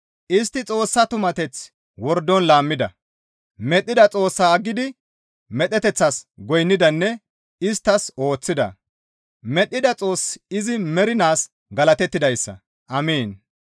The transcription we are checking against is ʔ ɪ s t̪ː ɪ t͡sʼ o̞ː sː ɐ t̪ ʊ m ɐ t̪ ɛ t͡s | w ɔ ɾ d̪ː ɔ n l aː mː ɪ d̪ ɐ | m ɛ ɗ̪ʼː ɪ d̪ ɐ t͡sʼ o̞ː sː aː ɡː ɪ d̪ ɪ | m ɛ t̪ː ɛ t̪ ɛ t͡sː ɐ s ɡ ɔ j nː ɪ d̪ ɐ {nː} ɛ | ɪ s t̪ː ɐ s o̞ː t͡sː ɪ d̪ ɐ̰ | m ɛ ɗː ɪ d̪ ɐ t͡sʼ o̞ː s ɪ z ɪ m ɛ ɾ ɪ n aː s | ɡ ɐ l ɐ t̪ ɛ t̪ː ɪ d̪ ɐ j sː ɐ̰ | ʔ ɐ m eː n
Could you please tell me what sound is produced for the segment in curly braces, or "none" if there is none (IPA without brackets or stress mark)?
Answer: nː